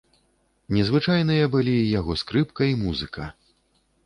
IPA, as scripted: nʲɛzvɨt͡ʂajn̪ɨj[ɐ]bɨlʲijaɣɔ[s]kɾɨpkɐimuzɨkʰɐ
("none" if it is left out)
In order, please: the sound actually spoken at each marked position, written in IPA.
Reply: ɐ, s

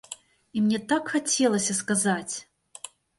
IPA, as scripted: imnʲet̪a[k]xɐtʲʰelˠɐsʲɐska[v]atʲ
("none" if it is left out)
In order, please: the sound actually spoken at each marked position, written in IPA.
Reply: k, z

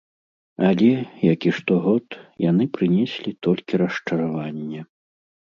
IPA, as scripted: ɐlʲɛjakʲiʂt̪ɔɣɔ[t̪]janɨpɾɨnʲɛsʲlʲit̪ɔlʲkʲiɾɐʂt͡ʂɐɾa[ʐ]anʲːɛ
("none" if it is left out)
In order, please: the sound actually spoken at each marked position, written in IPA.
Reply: t̪, v

